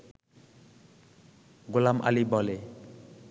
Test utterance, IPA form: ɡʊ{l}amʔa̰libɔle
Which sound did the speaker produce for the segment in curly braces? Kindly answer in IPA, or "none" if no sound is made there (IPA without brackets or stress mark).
l